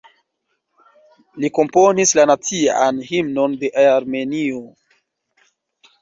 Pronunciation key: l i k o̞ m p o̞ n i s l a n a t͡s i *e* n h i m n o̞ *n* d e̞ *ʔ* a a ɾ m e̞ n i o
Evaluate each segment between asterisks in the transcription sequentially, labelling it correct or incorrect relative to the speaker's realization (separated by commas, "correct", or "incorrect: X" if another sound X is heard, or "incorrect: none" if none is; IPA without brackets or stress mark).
incorrect: a, correct, correct